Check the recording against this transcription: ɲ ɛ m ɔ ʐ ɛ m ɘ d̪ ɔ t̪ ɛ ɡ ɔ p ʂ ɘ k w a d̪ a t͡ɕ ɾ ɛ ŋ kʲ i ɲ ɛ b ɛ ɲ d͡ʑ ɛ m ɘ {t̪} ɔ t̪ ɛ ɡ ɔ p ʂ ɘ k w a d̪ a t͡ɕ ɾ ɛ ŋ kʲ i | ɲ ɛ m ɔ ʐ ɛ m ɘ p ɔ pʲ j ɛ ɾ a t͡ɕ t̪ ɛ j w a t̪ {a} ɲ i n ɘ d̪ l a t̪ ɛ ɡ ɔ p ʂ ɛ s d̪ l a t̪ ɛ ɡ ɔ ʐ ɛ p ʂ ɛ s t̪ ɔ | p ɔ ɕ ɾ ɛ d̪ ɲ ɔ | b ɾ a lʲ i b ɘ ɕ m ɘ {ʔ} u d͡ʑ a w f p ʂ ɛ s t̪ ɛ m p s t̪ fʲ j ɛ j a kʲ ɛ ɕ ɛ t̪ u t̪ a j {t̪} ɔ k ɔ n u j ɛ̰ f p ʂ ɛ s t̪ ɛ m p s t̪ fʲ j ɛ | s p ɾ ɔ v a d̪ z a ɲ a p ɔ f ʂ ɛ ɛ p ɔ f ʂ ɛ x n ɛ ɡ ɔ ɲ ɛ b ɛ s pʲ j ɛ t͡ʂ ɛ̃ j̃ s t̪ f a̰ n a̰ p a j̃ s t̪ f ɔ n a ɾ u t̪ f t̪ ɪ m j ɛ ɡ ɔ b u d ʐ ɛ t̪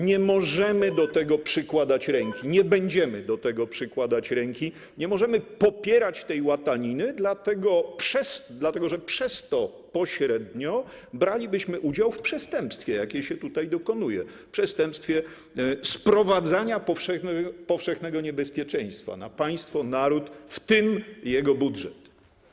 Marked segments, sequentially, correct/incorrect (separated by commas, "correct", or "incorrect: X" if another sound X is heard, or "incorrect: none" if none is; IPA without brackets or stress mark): incorrect: d̪, correct, correct, incorrect: d̪